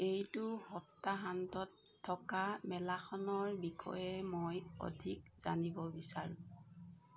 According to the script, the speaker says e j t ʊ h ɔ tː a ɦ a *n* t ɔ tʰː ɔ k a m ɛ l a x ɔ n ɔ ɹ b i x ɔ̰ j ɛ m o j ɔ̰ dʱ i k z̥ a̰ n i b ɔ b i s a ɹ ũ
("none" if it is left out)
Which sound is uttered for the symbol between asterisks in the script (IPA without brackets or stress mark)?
n